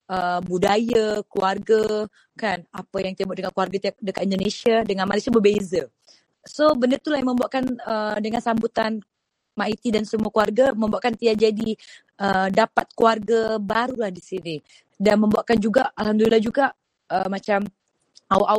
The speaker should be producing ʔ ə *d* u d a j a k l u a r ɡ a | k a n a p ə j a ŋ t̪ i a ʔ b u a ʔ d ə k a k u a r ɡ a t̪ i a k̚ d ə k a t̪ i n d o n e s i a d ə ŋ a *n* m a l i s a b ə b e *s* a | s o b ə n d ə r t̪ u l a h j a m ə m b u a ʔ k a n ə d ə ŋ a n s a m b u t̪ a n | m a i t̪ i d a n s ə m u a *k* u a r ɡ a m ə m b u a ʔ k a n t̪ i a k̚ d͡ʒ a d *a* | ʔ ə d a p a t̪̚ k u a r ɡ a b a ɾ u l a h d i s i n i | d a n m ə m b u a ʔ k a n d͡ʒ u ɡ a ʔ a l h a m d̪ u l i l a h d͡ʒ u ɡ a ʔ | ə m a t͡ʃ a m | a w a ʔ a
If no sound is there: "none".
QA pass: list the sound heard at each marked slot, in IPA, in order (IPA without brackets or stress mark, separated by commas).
b, n, z, k, i